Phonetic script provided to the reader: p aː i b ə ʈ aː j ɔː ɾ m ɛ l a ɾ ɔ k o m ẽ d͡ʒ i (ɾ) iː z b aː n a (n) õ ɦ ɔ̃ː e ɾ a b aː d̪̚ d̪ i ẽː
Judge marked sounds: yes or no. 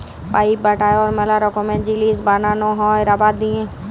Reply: no, yes

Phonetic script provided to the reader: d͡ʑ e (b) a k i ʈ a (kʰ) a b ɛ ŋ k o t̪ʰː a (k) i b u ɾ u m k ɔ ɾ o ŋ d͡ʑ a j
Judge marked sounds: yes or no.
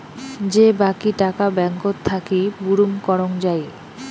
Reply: yes, no, yes

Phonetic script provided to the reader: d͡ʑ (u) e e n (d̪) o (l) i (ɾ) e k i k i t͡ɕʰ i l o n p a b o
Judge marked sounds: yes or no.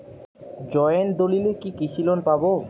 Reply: no, yes, yes, no

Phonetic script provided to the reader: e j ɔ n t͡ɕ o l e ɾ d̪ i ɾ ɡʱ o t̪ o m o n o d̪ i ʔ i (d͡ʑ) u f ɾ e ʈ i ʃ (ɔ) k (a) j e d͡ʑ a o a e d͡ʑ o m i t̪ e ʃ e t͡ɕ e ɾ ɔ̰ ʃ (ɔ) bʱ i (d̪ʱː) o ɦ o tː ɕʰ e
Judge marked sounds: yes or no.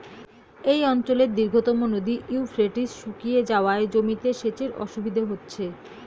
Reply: no, no, no, no, no

